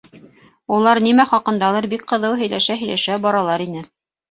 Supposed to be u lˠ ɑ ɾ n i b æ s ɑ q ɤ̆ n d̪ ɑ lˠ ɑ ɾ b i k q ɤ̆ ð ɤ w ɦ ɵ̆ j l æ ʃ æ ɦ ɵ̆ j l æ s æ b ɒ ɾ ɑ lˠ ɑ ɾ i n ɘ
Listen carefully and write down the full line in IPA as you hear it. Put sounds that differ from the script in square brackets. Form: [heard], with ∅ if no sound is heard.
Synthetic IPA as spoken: u lˠ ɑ ɾ n i [m] æ [χ] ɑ q ɤ̆ n d̪ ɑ lˠ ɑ ɾ b i k q ɤ̆ ð ɤ w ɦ ɵ̆ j l æ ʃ æ ɦ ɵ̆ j l æ [ʃ] æ b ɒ ɾ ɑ lˠ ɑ ɾ i n ɘ